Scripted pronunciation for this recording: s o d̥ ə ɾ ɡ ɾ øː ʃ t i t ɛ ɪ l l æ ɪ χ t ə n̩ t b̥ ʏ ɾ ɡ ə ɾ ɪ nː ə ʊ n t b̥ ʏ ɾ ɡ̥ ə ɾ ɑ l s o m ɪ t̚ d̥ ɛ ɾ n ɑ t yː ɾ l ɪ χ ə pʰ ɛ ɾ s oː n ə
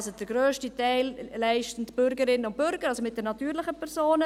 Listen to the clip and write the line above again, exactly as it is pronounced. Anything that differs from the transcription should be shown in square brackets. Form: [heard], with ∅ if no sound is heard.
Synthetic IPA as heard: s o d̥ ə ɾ ɡ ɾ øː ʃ t i t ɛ ɪ l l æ ɪ [ʃ] t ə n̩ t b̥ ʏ ɾ ɡ ə ɾ ɪ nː ə ʊ n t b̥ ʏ ɾ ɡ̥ ə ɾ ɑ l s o m ɪ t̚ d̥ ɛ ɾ n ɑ t yː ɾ l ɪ χ ə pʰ ɛ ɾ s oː n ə

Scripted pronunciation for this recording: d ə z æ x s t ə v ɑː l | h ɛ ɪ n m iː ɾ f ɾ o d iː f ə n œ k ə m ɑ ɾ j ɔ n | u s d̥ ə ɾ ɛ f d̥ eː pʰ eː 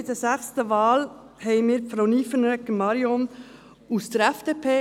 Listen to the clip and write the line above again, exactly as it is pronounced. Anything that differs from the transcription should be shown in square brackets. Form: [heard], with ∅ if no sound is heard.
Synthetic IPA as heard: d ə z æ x s t ə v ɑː l | h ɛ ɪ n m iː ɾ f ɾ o [n] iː f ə n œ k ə m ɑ ɾ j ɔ n | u s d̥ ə ɾ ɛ f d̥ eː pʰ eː

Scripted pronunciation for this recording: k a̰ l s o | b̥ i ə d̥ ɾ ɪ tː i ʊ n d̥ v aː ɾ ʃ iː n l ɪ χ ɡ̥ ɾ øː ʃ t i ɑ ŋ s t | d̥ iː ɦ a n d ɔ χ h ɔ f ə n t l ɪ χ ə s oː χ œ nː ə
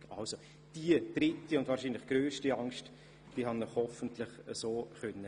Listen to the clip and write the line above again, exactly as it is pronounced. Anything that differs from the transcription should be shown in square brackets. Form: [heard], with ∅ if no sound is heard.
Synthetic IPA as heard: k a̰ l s o | [d̥] i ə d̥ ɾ ɪ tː i ʊ n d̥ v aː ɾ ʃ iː n l ɪ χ ɡ̥ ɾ øː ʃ t i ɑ ŋ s t | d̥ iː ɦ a n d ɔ χ h ɔ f ə n t l ɪ χ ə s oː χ œ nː ə

